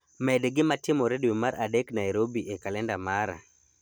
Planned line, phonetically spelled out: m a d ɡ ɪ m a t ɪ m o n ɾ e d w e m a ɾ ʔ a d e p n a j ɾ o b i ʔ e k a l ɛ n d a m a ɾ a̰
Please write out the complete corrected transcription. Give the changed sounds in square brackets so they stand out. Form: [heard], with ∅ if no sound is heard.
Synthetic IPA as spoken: m [ɛ] d ɡ ɪ m a t ɪ m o [∅] ɾ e d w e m a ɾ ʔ a d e [k] n a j ɾ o b i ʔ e k a l ɛ n d a m a ɾ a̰